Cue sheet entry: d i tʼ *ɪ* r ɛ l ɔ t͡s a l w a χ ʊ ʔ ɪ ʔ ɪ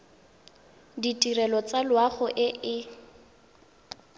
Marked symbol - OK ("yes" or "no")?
no